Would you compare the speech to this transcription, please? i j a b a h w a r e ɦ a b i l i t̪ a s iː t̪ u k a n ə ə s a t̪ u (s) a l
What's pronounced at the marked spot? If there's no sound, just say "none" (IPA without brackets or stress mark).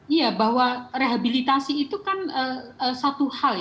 h